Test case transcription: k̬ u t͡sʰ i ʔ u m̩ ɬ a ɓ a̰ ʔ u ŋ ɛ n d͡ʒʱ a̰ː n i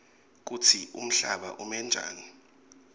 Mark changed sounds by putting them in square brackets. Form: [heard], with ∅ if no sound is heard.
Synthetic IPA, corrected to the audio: k̬ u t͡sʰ i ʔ u m̩ ɬ a ɓ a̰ ʔ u [m] ɛ n d͡ʒʱ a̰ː n i

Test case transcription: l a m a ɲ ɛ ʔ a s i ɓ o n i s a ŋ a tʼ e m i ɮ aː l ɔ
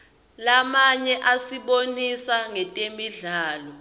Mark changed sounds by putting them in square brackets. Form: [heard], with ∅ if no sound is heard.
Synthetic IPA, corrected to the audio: l a m a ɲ ɛ ʔ a s i ɓ o n i s a ŋ [ɛ] tʼ e m i ɮ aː l ɔ

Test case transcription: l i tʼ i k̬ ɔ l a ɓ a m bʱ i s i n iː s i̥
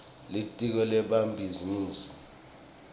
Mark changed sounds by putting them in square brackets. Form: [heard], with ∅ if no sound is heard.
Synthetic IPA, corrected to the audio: l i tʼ i k̬ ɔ l [ɛ] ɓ a m bʱ i [z] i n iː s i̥

